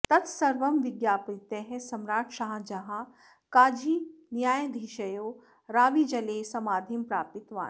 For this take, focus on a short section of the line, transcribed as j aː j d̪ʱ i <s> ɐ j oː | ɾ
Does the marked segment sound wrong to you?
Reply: yes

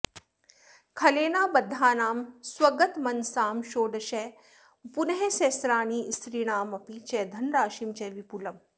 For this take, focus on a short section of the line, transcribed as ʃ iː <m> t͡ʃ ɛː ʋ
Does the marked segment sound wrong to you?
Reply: no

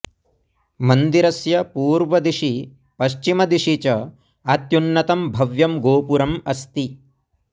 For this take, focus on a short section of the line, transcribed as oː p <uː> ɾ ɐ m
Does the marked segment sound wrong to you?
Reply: yes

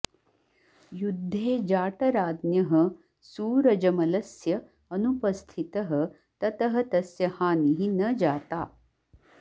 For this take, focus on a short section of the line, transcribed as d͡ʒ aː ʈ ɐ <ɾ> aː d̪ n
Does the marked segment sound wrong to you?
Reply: no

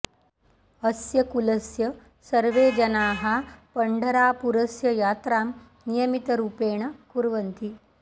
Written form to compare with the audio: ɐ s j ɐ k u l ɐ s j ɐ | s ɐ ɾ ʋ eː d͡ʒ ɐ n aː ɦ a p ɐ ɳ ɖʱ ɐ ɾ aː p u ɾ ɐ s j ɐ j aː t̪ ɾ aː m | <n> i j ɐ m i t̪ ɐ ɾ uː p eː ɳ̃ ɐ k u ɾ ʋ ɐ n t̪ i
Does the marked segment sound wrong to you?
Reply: no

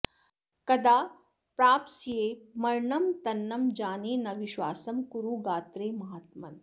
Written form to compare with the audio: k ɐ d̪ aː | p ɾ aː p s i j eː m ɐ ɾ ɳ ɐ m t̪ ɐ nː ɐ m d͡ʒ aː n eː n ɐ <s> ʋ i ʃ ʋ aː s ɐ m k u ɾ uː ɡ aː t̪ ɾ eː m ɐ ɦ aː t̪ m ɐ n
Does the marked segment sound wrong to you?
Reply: yes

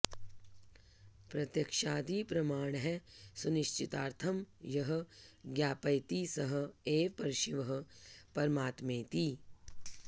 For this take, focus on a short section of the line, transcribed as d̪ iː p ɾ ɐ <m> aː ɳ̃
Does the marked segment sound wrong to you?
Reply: no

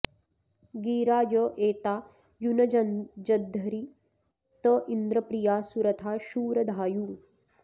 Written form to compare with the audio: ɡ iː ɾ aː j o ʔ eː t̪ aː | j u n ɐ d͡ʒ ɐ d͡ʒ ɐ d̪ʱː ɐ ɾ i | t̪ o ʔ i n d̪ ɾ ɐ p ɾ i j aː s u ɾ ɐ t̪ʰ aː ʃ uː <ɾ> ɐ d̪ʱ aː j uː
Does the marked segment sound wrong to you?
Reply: no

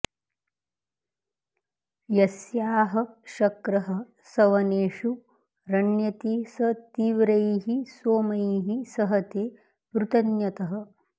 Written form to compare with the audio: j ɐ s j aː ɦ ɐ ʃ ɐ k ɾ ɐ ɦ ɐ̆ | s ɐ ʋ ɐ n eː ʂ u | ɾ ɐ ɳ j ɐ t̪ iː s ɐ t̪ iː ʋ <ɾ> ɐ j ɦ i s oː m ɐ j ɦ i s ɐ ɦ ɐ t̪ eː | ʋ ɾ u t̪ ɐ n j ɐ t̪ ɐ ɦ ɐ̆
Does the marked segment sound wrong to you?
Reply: no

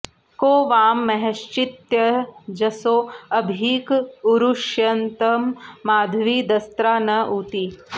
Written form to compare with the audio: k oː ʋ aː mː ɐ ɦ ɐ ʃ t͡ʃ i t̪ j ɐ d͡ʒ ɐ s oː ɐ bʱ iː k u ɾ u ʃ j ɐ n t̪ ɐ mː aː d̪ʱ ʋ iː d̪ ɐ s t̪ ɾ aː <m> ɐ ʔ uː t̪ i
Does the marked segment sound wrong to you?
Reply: yes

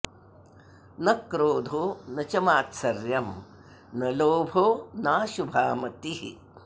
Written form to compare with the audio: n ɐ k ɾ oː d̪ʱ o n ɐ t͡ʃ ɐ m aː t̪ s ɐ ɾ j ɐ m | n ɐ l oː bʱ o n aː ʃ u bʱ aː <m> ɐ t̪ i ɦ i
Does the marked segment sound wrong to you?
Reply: no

